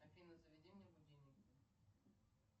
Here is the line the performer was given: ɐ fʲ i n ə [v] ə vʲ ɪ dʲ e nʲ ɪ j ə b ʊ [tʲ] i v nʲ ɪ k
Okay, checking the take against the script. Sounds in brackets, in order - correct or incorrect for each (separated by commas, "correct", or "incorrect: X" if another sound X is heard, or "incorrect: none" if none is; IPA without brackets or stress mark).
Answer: incorrect: z, incorrect: dʲ